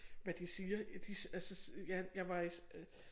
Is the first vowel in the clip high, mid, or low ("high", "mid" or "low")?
low